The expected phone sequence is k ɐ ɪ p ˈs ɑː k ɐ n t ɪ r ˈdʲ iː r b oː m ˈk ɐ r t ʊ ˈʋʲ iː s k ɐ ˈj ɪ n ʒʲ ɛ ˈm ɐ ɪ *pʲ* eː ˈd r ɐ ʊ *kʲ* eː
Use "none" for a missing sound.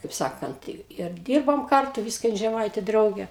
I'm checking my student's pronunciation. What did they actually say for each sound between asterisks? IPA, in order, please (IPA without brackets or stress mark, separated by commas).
tʲ, ɡʲ